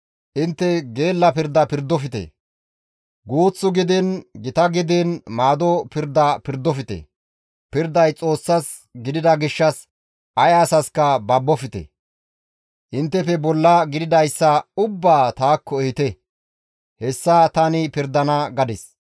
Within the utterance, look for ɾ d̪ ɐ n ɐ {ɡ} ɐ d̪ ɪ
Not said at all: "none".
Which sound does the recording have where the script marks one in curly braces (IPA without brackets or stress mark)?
ɡ